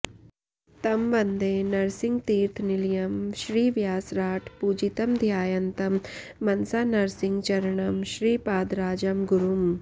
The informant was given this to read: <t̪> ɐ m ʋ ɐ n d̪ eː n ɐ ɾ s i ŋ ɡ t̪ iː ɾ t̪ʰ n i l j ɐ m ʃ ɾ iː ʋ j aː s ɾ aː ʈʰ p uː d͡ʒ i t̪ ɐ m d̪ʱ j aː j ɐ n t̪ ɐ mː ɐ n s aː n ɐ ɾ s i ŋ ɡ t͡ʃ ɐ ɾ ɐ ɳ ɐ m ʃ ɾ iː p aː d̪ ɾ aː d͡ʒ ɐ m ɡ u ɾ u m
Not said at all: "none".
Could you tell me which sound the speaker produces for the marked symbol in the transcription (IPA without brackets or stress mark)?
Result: t̪